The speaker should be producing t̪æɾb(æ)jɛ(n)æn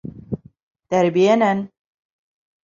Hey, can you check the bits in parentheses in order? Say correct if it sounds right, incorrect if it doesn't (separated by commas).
incorrect, correct